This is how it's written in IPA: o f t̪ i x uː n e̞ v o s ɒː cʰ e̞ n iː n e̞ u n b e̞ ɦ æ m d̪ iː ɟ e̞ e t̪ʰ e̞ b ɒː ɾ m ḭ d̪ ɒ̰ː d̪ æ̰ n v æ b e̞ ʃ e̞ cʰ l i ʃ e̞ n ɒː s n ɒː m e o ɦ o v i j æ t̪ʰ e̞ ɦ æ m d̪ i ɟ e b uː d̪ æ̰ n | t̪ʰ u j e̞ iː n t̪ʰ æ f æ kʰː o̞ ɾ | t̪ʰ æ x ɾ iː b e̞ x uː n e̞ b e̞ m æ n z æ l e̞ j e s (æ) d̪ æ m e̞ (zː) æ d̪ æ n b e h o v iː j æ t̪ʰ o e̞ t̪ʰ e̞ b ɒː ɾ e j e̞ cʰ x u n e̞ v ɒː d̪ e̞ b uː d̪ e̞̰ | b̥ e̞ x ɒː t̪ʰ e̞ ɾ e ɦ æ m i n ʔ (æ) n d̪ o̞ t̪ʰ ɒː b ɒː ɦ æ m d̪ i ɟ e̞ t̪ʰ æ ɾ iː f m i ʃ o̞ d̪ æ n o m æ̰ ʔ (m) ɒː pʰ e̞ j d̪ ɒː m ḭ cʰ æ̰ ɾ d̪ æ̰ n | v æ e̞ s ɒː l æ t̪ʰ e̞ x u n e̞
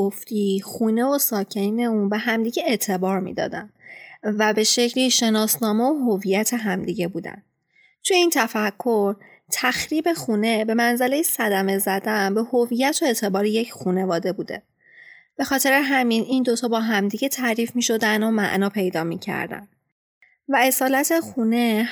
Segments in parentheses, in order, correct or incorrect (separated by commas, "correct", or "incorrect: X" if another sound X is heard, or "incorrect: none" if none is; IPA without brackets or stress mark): correct, incorrect: z, incorrect: i, incorrect: n